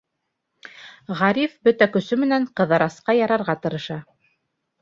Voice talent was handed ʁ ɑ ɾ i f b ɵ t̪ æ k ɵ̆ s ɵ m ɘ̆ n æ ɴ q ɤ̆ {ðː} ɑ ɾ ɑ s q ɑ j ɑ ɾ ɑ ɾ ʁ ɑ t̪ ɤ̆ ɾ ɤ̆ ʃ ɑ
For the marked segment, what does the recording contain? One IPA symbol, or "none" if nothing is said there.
ð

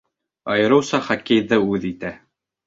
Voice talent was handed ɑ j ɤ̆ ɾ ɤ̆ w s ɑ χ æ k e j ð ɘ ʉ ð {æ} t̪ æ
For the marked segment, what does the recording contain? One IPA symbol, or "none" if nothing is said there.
i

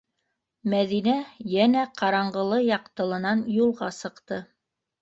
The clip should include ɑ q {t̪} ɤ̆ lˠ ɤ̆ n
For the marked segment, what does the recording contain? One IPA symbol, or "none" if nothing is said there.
t̪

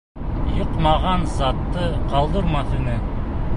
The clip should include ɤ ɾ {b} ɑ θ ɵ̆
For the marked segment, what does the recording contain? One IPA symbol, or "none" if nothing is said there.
m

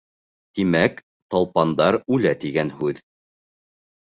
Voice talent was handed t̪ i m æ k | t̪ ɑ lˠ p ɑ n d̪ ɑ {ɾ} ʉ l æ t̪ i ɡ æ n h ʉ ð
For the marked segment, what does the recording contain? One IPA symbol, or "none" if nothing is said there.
ɾ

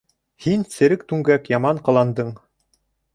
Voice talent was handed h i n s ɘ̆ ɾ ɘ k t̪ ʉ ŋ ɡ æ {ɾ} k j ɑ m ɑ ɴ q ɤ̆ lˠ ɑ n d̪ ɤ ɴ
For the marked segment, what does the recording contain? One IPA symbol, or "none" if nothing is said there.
none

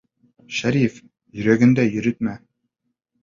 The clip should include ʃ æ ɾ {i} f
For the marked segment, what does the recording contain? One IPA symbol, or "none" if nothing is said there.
i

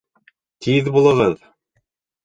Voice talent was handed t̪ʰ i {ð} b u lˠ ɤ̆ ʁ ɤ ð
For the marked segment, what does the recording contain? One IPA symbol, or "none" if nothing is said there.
ð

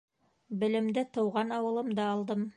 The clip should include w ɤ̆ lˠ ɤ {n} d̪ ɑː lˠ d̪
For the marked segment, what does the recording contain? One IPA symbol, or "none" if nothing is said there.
m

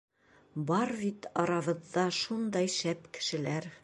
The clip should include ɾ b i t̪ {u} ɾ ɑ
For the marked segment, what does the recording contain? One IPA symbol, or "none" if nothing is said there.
ɒ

